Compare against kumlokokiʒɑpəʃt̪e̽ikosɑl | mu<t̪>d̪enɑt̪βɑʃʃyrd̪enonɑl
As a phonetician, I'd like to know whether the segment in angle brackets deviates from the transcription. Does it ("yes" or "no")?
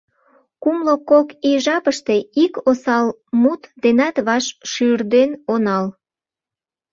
no